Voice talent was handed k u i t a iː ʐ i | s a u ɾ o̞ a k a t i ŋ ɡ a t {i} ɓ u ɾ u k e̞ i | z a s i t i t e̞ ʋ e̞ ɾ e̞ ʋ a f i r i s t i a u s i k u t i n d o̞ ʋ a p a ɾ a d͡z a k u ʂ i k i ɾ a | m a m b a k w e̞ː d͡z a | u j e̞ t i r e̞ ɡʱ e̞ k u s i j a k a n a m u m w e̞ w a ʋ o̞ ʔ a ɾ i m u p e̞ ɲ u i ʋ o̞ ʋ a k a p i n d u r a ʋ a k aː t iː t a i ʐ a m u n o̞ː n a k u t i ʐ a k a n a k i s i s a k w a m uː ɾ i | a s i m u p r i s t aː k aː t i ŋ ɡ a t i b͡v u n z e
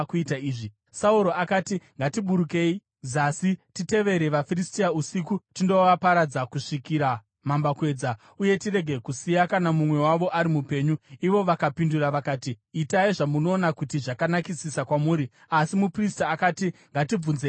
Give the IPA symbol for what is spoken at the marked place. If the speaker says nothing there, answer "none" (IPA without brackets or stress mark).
i